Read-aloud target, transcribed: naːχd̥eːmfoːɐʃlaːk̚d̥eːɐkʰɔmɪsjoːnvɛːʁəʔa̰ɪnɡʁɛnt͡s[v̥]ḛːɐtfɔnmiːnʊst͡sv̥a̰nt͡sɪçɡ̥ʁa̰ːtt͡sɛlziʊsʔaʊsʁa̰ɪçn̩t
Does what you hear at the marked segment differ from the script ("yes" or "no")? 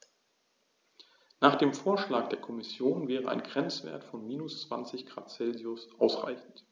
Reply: no